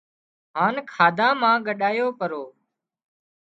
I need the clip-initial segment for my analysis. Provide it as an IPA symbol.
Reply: ɦ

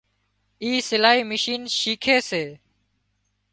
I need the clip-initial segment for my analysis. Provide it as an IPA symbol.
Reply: iː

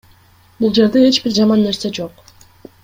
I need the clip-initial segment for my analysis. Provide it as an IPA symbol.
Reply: b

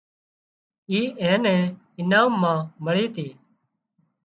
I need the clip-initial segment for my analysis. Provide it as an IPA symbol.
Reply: iː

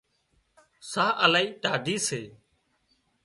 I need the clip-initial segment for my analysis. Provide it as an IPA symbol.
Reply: s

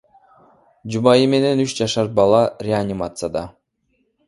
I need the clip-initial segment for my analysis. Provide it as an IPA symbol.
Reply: d͡ʒ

